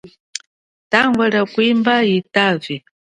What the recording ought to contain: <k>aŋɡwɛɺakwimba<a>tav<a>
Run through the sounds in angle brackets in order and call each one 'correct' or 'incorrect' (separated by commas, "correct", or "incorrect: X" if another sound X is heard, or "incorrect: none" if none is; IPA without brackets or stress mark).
incorrect: t, incorrect: i, incorrect: i